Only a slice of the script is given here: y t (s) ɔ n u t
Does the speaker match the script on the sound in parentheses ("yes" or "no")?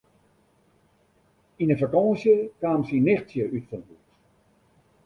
no